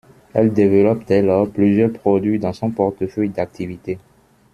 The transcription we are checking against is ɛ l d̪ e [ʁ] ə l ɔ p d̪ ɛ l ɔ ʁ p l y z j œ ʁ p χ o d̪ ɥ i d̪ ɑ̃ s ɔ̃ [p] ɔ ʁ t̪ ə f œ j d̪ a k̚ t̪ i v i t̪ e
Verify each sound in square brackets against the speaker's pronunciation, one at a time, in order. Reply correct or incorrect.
incorrect, correct

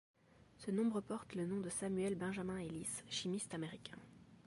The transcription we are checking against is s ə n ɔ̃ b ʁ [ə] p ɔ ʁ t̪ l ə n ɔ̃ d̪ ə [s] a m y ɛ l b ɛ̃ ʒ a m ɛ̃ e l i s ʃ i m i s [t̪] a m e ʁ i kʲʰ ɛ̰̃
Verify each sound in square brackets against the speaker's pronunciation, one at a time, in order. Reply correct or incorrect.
correct, correct, correct

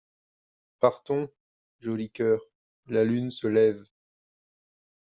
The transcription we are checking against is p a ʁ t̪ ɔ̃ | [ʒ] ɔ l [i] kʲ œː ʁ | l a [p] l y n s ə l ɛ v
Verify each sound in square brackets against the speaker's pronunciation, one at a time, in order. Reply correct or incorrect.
correct, correct, incorrect

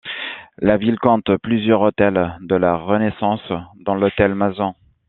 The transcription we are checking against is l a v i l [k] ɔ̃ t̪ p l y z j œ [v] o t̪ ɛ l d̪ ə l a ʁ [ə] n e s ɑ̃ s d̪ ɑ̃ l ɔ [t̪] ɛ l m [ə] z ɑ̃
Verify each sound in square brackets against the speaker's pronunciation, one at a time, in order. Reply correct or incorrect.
correct, incorrect, correct, correct, incorrect

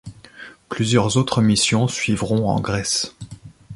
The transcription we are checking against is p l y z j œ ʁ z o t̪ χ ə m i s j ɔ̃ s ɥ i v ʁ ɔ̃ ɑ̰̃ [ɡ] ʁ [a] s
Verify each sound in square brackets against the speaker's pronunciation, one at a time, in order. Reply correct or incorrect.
correct, incorrect

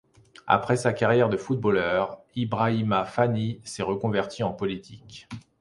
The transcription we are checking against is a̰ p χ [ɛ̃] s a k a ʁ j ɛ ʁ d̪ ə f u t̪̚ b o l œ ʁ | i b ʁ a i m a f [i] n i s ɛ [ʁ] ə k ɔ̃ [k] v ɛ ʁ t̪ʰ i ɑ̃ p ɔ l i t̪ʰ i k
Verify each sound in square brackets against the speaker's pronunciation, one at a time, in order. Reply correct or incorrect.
incorrect, incorrect, correct, incorrect

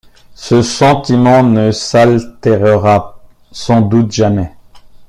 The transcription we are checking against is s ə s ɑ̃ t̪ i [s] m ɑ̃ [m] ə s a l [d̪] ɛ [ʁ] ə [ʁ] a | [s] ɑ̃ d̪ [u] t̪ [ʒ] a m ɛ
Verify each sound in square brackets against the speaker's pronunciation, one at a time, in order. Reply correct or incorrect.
incorrect, incorrect, incorrect, correct, correct, correct, correct, correct

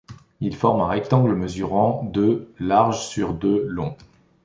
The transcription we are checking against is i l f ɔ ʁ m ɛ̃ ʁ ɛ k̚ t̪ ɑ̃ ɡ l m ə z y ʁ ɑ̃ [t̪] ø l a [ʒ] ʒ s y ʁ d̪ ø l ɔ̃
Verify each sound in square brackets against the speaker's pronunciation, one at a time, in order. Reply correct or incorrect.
incorrect, incorrect

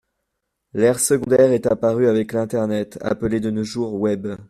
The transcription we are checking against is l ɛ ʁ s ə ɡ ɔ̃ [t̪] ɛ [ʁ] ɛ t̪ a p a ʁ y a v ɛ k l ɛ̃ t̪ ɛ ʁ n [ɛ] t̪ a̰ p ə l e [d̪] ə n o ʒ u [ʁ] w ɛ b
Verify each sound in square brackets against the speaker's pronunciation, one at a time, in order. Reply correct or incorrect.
incorrect, correct, correct, correct, correct

